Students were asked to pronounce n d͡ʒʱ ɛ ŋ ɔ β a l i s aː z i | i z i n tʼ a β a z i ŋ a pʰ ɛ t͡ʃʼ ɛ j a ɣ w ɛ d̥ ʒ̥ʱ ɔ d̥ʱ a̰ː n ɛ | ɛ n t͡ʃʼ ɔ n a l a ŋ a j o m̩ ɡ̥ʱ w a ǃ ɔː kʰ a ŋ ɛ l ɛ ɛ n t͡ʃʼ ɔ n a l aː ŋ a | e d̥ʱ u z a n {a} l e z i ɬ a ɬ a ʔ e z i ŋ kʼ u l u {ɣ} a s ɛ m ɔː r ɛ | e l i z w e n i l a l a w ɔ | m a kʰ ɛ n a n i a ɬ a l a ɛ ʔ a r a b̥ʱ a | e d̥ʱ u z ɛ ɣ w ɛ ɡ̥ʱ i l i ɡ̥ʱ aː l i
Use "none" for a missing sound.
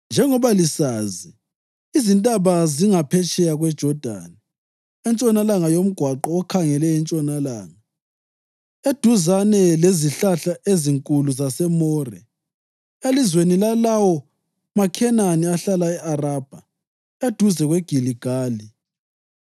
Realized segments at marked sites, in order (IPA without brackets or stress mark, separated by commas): ɛ, z